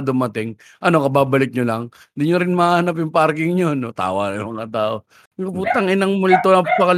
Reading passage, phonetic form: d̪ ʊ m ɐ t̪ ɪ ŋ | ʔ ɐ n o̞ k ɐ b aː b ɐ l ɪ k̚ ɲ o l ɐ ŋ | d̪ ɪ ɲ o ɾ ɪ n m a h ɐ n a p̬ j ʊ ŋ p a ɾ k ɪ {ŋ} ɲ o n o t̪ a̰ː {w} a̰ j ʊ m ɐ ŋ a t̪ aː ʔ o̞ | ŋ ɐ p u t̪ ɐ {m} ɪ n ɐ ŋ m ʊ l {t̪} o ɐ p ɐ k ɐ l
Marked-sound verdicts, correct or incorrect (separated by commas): correct, correct, incorrect, correct